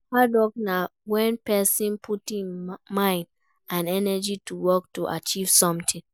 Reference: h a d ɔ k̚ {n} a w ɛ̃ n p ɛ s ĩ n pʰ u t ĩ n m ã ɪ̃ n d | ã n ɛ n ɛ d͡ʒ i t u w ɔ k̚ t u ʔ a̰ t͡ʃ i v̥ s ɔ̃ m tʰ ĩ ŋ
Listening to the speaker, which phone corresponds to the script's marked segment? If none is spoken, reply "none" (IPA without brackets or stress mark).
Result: n